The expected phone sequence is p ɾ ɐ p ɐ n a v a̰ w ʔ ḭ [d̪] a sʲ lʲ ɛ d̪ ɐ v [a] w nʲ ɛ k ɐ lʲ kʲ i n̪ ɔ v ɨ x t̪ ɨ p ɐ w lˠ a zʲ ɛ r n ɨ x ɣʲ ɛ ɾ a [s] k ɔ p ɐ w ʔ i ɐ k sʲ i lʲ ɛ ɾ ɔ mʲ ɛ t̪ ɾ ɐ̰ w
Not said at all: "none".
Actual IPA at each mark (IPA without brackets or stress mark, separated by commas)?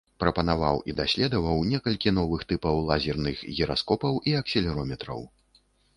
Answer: d̪, ɐ, s